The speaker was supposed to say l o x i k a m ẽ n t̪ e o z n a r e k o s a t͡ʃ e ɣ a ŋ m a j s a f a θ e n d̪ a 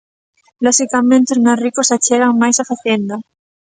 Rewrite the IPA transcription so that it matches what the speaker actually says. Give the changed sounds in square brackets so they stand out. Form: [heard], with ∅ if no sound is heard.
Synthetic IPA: l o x i k a m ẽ n t̪ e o z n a r [i] k o s a t͡ʃ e ɣ a ŋ m a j s a f a θ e n d̪ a